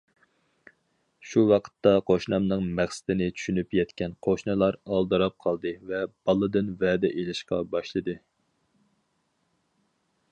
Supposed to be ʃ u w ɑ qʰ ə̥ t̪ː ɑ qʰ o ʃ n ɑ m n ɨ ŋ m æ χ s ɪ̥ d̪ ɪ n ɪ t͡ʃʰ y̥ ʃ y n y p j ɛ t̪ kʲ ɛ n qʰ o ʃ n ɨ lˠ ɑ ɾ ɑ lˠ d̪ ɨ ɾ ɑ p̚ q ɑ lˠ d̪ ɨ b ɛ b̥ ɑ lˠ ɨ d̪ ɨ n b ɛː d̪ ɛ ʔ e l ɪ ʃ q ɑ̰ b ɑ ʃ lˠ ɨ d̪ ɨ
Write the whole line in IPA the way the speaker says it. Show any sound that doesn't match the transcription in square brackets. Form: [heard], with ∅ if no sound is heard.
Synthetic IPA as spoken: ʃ u w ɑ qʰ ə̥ t̪ː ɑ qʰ o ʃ n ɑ m n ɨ ŋ m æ χ s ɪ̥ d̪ ɪ n ɪ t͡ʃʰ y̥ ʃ y n y p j ɛ t̪ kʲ ɛ n qʰ o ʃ n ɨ lˠ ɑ ɾ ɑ lˠ d̪ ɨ ɾ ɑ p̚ [qʰ] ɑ lˠ d̪ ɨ [v] ɛ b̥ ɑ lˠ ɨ d̪ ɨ n [v] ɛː d̪ ɛ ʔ e l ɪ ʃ q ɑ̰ b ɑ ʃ lˠ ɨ d̪ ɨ